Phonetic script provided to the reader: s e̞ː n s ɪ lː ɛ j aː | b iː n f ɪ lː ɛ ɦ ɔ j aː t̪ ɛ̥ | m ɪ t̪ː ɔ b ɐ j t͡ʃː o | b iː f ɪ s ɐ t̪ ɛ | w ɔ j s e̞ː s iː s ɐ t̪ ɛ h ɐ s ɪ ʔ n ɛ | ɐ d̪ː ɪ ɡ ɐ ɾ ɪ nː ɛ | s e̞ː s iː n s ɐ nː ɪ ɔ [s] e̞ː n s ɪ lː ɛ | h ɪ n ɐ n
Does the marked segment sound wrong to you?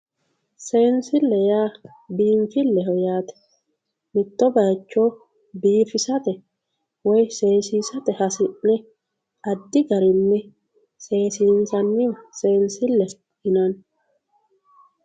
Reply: no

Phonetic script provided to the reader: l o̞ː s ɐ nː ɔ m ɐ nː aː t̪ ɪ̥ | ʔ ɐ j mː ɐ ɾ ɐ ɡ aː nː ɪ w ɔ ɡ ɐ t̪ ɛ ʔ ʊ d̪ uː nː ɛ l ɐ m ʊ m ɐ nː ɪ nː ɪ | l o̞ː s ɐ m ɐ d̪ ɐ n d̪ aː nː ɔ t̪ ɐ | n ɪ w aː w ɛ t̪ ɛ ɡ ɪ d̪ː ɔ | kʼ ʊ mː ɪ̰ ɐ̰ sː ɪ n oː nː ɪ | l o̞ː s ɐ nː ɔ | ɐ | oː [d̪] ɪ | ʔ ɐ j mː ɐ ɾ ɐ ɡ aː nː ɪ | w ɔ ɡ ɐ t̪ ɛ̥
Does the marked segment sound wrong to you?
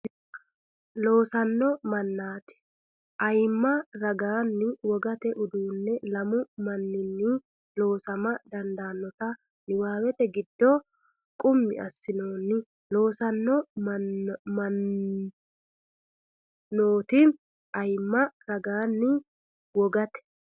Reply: yes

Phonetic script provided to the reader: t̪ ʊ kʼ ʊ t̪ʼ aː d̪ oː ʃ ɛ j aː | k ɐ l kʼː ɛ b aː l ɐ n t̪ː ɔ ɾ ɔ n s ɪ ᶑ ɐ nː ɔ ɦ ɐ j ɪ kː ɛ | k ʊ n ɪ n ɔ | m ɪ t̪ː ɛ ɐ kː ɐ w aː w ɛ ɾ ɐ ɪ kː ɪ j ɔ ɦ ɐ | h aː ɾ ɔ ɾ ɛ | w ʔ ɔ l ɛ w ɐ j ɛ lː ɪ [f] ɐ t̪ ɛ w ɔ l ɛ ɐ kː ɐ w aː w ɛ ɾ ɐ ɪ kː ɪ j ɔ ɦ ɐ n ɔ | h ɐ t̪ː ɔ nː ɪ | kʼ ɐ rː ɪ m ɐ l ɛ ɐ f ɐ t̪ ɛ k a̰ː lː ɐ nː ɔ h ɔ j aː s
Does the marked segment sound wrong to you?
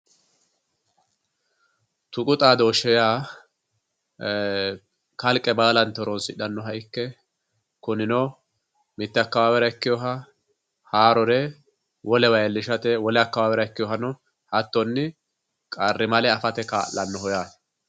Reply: yes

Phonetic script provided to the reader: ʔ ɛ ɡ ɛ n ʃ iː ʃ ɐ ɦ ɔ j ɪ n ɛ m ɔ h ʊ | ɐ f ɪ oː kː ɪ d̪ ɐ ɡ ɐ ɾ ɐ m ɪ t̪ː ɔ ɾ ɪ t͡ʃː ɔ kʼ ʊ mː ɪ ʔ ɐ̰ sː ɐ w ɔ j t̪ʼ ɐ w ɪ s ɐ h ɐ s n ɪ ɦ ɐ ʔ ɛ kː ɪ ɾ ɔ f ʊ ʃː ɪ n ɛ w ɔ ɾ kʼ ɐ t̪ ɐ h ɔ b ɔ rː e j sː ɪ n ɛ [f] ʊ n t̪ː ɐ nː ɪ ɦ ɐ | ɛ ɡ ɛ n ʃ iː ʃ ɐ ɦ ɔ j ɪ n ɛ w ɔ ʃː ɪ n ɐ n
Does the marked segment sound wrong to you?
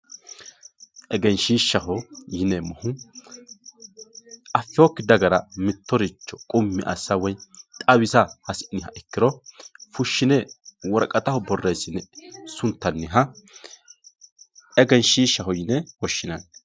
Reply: yes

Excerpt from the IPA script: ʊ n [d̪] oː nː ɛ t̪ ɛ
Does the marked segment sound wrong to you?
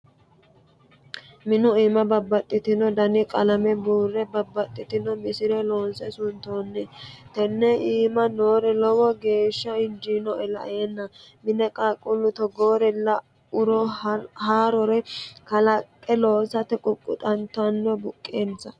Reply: yes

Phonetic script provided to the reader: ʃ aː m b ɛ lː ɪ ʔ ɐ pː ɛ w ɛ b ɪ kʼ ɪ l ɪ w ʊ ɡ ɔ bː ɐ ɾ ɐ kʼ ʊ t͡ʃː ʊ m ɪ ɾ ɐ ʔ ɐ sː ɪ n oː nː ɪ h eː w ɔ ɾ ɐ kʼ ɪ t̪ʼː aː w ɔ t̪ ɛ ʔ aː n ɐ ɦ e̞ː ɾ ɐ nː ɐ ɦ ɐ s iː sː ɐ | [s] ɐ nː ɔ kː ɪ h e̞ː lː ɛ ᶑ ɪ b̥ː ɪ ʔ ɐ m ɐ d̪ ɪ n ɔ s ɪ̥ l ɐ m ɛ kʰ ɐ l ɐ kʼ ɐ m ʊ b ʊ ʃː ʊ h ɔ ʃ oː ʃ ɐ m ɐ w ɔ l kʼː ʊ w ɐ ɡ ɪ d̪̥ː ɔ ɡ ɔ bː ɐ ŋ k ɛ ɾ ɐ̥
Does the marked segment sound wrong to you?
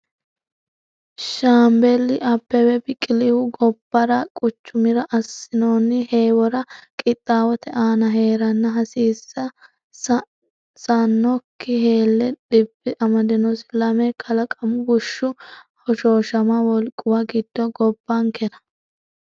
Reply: no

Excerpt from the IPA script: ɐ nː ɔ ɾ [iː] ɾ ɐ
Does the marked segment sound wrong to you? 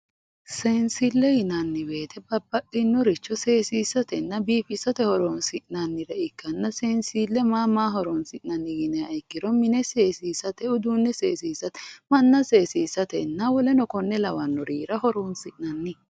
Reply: no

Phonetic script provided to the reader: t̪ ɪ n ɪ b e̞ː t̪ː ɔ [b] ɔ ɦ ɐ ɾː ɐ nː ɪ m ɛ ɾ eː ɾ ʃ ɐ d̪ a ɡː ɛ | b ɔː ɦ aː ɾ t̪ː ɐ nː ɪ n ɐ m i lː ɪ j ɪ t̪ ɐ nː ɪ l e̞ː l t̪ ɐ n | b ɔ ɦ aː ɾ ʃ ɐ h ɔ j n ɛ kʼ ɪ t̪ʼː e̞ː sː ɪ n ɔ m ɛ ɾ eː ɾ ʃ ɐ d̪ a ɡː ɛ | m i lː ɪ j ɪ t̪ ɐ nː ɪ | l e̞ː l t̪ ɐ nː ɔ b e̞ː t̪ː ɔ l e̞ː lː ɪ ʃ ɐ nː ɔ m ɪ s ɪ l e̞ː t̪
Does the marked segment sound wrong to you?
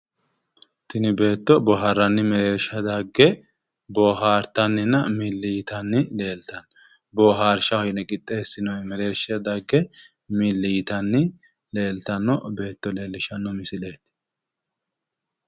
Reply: no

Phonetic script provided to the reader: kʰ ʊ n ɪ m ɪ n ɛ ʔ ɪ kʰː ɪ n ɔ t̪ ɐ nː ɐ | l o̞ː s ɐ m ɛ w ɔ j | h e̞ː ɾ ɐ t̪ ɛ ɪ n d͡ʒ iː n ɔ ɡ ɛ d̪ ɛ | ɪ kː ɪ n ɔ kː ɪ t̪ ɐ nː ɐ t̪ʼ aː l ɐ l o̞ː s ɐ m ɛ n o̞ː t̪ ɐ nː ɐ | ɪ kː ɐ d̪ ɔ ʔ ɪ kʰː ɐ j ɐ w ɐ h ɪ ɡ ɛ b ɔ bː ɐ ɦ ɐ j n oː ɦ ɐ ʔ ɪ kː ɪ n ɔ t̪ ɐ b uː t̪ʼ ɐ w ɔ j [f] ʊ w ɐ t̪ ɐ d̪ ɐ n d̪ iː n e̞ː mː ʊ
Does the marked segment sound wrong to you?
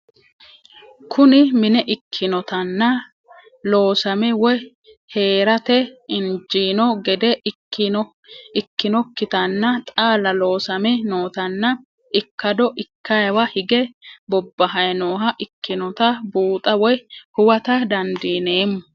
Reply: yes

